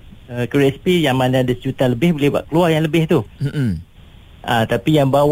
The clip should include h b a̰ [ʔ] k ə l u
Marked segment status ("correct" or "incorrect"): correct